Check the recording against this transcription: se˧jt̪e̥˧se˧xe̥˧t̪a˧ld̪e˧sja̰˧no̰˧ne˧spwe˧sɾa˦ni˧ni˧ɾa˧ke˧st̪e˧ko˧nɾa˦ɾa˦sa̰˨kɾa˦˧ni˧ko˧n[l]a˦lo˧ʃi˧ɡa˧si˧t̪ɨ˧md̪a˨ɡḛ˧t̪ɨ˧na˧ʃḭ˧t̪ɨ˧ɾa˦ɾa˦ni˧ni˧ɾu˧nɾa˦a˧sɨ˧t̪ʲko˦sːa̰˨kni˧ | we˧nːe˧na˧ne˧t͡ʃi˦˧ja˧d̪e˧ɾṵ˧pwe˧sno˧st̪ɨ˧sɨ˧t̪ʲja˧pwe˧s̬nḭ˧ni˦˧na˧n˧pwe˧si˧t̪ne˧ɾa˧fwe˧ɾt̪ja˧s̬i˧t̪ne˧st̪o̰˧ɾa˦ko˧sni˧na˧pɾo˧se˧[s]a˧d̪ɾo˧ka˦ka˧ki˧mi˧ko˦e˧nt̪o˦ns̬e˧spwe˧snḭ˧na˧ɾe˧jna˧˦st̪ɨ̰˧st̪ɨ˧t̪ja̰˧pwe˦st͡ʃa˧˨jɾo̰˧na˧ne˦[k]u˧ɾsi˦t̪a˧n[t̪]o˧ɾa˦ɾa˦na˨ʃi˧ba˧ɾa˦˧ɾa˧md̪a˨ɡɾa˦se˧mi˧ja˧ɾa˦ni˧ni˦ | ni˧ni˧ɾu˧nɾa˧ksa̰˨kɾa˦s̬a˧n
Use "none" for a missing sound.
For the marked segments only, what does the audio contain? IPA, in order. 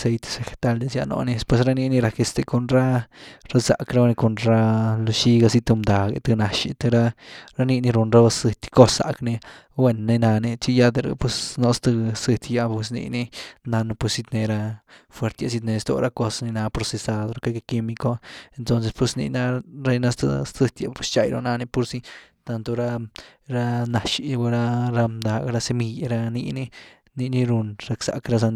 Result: ɾ, s, p, t̪

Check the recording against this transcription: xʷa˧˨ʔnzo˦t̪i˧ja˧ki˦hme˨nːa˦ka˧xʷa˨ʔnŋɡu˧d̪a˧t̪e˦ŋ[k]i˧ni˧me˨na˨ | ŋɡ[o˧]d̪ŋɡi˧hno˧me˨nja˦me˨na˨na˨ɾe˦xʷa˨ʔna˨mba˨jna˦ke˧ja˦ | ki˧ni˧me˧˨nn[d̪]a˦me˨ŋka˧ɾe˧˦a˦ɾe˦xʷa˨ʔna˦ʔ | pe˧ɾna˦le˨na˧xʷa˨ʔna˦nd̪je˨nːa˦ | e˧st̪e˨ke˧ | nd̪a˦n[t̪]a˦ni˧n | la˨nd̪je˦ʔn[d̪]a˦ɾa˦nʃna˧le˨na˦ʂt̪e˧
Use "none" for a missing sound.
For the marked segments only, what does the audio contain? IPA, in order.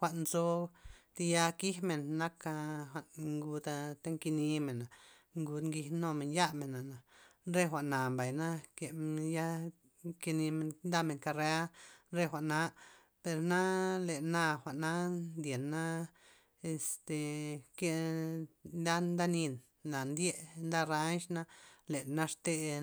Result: k, u˧, d̪, d̪, d̪

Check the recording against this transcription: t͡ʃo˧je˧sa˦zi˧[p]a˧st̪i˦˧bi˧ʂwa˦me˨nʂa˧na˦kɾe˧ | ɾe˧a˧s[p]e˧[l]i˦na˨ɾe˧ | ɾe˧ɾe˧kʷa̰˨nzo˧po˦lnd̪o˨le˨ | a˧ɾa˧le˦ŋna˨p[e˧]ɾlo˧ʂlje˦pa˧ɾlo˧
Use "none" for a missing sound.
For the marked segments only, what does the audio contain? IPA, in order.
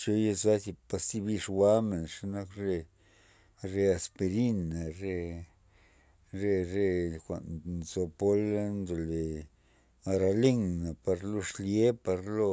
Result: p, p, ɾ, a˧

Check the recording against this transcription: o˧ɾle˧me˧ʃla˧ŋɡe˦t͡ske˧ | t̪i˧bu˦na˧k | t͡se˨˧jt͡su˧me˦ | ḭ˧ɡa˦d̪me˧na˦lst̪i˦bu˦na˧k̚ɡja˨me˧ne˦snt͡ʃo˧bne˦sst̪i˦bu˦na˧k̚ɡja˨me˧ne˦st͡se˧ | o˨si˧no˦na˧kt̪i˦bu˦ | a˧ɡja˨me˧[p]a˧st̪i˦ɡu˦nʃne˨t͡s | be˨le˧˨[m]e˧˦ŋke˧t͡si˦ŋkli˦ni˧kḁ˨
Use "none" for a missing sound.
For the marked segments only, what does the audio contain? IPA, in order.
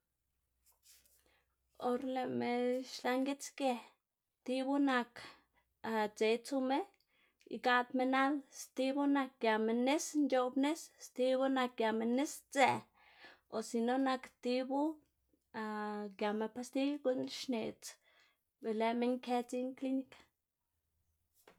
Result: p, m

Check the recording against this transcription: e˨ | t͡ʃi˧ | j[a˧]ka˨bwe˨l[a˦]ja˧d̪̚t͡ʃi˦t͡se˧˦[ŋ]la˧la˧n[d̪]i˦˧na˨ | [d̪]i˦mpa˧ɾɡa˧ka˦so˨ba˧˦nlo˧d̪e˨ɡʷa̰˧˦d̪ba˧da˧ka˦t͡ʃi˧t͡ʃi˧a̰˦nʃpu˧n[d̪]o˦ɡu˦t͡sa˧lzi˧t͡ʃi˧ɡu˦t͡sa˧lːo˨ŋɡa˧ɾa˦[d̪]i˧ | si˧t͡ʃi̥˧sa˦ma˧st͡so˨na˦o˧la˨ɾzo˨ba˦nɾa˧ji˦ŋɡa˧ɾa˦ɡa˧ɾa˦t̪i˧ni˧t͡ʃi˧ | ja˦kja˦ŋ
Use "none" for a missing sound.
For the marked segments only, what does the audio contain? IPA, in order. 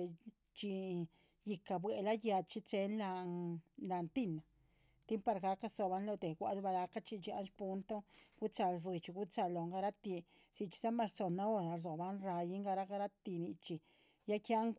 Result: i˧, a˦, n, t̪, t̪, t̪, t̪

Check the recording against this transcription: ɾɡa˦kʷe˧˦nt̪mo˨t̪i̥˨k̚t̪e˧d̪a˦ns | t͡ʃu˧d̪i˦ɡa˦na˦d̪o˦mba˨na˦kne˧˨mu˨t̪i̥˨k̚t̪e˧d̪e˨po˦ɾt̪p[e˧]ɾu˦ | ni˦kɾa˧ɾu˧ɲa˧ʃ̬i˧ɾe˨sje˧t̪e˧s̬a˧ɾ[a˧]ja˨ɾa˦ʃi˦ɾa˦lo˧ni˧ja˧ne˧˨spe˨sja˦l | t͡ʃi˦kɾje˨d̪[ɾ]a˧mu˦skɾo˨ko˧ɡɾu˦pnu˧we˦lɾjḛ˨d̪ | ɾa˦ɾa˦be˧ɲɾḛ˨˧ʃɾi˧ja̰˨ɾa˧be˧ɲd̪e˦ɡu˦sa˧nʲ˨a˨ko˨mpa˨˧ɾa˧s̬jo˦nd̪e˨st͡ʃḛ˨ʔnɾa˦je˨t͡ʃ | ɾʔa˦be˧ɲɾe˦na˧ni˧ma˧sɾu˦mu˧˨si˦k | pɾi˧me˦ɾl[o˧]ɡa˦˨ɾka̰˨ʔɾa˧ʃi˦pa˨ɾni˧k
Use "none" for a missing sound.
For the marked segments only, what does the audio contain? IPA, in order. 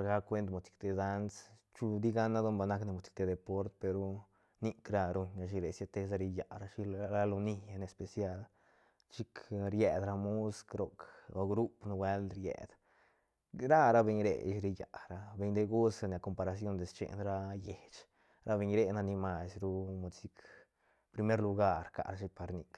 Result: e˧, i˧, ɾ, u˧

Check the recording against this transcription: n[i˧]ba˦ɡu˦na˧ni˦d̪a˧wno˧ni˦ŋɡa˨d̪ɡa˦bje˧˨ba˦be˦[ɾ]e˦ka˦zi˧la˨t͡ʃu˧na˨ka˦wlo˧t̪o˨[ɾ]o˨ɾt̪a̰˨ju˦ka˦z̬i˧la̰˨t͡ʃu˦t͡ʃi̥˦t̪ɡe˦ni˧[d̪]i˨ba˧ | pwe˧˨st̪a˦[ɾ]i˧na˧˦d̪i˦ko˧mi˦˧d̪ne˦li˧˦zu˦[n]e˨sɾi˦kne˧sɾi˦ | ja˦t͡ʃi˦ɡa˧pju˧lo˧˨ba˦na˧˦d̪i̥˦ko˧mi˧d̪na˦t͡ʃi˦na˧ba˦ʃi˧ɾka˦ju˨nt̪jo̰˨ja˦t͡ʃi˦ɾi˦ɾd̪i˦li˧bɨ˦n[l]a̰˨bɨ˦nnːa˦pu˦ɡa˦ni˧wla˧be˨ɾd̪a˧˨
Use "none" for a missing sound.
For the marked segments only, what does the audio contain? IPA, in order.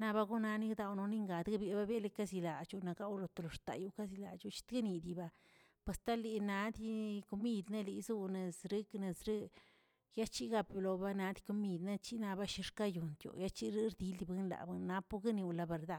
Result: a˧, l, l, d̪, l, n, l

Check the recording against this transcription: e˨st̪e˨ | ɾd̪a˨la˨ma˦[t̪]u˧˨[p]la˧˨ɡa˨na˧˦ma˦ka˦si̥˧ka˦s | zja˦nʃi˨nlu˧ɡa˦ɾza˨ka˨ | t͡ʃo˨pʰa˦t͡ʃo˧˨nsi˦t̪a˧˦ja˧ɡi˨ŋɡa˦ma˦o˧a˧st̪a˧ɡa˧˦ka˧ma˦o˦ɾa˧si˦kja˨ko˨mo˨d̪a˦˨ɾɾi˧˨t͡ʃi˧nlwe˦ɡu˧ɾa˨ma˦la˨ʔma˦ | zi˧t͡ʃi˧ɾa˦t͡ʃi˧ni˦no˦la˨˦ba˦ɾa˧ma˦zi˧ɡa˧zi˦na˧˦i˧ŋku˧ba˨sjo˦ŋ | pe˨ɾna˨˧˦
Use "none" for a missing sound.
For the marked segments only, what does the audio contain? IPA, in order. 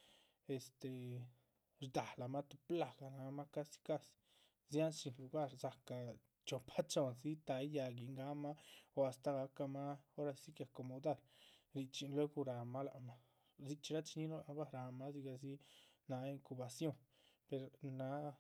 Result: t̪, p

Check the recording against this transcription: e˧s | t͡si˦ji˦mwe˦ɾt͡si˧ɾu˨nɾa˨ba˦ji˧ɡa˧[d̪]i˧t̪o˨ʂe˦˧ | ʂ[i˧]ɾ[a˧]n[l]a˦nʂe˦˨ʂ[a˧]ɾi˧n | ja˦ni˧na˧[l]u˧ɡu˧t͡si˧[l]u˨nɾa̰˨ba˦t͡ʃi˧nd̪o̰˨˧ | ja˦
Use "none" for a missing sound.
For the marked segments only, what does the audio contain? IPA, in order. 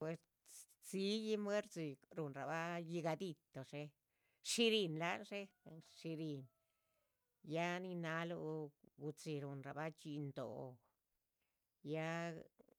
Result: d̪, i˧, i˧, l, i˧, l, ɾ

